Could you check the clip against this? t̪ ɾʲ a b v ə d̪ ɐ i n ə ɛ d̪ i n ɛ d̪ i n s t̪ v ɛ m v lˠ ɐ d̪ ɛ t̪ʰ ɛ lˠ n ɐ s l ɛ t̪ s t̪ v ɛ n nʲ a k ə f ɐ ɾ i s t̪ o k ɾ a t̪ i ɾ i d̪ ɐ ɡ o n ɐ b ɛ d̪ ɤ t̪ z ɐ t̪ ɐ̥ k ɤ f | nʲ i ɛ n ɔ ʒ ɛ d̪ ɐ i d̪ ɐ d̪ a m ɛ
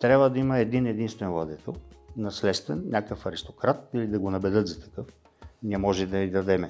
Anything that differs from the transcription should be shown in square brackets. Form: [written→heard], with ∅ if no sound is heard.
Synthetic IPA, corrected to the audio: t̪ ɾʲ a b v ə d̪ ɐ i [n→m] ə ɛ d̪ i n ɛ d̪ i n s t̪ v ɛ [m→n] v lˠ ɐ d̪ ɛ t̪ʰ ɛ lˠ n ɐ s l ɛ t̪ s t̪ v ɛ n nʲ a k ə f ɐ ɾ i s t̪ o k ɾ a t̪ i [ɾ→l] i d̪ ɐ ɡ o n ɐ b ɛ d̪ ɤ t̪ z ɐ t̪ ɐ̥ k ɤ f | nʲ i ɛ [n→m] ɔ ʒ ɛ d̪ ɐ i d̪ ɐ d̪ [a→ɛ] m ɛ